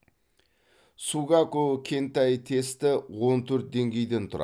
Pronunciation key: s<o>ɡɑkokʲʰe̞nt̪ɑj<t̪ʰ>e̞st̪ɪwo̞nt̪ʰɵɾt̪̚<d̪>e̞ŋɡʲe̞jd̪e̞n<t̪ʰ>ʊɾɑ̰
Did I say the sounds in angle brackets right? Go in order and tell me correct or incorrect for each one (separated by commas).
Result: incorrect, correct, correct, correct